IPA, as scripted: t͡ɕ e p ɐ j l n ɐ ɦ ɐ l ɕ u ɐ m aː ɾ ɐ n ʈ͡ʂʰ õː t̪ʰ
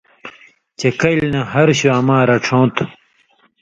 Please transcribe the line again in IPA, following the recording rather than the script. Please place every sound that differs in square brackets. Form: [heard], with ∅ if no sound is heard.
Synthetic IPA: t͡ɕ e [k] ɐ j l n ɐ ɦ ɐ [ɾ] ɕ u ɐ m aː ɾ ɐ [∅] ʈ͡ʂʰ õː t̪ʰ

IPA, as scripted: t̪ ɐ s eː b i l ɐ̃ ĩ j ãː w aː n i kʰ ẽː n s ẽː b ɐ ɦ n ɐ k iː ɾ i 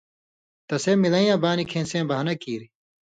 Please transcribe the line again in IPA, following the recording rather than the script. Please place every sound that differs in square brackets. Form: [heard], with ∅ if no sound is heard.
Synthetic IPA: t̪ ɐ s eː [m] i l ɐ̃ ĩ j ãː [b] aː n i kʰ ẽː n s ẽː b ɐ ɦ n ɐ k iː ɾ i

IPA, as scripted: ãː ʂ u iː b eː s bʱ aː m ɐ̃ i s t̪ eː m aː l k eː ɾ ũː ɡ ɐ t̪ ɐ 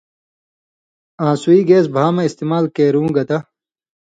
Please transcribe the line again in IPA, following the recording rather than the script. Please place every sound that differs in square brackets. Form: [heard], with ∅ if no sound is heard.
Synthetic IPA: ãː [s] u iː [ɡ] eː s bʱ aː m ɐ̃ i s t̪ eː m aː l k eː ɾ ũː ɡ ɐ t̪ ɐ

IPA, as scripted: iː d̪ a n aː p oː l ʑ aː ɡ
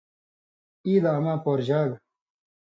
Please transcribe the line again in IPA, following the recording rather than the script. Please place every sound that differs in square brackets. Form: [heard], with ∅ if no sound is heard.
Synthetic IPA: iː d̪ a [m] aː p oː [ɾ] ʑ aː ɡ

